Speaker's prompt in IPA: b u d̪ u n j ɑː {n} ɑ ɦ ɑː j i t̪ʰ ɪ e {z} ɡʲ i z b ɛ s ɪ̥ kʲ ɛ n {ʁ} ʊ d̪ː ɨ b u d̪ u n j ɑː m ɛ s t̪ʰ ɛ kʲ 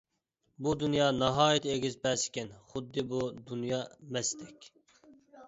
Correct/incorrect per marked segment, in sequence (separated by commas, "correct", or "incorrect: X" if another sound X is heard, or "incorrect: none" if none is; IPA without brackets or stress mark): correct, incorrect: none, incorrect: χ